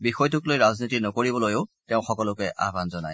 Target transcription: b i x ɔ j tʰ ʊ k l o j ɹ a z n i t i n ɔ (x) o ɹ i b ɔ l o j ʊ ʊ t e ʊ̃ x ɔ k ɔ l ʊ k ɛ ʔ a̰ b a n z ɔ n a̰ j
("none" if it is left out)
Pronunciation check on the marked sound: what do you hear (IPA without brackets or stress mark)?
k